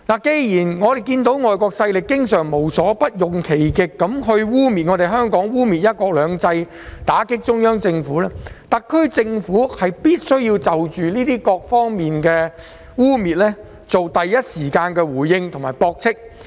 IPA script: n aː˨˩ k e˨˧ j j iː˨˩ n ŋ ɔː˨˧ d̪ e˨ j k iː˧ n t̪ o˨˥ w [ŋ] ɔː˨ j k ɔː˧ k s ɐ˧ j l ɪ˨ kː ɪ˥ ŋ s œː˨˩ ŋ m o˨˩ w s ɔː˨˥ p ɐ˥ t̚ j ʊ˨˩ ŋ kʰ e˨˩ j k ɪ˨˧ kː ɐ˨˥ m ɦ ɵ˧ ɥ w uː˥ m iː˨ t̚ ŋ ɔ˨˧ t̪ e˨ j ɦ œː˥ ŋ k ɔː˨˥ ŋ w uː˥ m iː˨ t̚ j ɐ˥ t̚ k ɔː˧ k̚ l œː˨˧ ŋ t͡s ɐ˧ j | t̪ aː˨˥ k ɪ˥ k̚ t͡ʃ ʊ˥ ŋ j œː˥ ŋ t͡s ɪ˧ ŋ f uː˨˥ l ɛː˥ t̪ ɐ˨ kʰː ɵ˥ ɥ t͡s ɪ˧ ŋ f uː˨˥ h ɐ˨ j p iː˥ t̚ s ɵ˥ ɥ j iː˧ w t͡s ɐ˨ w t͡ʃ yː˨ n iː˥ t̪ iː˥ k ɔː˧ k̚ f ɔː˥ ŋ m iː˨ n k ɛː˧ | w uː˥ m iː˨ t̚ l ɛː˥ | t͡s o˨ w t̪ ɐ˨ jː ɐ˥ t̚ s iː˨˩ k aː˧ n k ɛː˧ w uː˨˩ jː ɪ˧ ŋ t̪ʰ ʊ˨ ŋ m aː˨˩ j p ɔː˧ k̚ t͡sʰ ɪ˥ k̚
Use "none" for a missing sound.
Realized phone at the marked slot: ŋ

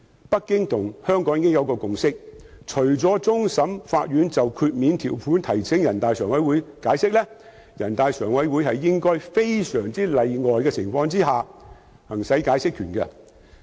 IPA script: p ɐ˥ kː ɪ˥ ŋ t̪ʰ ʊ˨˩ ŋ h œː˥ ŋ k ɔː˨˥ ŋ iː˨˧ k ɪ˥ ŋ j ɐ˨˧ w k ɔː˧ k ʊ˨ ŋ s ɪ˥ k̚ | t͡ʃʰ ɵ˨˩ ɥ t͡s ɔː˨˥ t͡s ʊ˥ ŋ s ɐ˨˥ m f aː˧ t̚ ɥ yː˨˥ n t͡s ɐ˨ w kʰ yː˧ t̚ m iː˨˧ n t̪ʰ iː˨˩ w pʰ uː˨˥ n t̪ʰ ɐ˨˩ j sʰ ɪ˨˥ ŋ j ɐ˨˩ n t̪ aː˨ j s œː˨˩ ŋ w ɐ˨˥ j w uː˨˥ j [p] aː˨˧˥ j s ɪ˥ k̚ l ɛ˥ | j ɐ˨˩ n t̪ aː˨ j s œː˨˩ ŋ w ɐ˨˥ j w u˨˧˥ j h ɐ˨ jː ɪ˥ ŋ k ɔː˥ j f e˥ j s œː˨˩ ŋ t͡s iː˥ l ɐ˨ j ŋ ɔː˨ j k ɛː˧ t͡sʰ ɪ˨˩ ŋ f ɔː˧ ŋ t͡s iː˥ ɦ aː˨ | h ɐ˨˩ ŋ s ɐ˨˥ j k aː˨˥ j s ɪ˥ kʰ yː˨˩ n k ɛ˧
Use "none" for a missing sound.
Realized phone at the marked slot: k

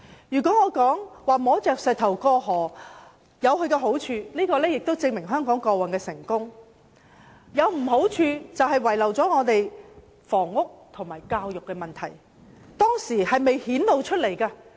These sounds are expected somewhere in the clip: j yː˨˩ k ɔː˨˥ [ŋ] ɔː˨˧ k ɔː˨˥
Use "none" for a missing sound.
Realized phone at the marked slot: ŋ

